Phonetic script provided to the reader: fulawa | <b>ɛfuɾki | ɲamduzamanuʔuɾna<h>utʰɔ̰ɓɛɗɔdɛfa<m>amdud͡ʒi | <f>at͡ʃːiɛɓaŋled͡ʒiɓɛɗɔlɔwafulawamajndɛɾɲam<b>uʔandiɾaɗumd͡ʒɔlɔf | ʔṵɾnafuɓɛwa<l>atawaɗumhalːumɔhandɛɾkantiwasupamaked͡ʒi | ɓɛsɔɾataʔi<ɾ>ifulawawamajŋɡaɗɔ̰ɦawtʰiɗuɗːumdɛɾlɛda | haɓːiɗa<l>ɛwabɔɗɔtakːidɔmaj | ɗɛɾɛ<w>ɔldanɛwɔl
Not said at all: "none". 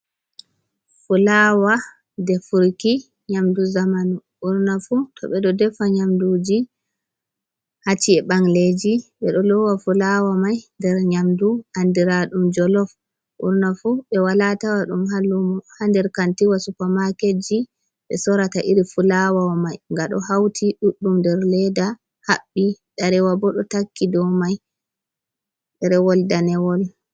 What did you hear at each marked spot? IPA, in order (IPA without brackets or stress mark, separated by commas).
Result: d, f, ɲ, h, d, l, ɾ, ɾ, w